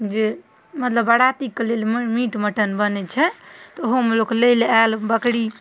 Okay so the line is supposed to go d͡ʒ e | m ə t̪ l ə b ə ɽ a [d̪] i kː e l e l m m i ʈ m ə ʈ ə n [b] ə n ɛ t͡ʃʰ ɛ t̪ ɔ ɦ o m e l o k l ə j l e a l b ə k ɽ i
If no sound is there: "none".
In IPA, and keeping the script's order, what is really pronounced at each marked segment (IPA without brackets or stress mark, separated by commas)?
t̪, b